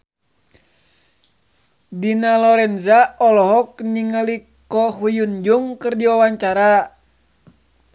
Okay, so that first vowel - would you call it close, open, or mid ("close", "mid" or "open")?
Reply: close